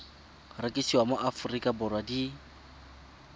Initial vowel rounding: unrounded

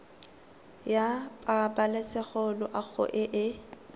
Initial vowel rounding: unrounded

